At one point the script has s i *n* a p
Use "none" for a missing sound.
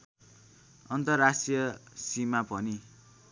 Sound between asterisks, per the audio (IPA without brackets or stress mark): m